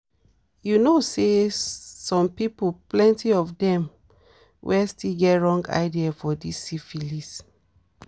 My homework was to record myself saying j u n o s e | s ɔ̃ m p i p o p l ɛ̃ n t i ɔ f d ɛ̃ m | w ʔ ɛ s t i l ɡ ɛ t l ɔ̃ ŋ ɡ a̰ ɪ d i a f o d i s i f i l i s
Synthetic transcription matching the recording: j u n o s e | s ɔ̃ m p i p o p l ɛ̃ n t i ɔ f d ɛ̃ m | w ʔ ɛ s t i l ɡ ɛ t ɹ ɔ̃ ŋ ɡ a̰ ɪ d i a f ɔ d i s i f i l i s